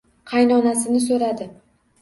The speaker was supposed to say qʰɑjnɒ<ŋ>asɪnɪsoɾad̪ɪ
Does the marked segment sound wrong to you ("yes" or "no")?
yes